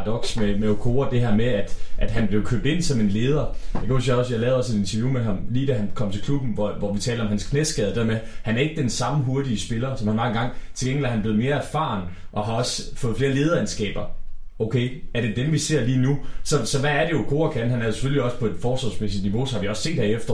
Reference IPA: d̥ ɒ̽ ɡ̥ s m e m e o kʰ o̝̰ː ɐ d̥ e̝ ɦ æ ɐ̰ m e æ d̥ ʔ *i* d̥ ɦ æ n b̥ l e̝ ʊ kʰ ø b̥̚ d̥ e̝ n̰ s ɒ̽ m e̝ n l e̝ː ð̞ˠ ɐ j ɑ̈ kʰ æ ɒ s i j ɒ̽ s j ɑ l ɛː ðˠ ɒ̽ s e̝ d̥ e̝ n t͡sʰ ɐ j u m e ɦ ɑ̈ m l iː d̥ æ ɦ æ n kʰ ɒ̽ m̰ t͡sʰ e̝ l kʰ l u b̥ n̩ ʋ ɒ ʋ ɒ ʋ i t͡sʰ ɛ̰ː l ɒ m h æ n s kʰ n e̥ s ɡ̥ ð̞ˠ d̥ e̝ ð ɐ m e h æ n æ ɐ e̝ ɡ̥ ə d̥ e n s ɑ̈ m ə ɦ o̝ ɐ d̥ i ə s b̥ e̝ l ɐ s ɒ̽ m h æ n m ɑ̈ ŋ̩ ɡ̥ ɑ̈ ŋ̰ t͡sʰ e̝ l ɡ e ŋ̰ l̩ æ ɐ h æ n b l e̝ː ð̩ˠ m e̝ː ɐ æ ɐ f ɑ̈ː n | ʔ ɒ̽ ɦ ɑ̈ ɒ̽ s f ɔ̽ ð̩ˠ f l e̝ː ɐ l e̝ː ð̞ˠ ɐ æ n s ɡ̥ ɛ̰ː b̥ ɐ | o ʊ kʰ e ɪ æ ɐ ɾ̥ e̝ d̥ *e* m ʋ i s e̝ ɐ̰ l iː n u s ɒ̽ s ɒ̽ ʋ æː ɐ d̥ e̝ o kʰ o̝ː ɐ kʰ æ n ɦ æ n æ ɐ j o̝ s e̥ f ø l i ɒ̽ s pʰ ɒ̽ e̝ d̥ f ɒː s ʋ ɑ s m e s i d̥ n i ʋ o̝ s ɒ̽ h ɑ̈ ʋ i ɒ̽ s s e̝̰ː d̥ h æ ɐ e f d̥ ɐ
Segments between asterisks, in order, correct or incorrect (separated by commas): incorrect, correct